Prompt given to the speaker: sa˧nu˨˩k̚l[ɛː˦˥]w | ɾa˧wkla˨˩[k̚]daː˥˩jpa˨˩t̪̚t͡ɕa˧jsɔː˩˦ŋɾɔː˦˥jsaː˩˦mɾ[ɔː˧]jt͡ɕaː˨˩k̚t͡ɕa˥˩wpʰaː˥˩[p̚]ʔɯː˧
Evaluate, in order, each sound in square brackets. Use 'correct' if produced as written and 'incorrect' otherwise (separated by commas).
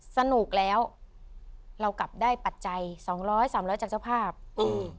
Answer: correct, incorrect, incorrect, correct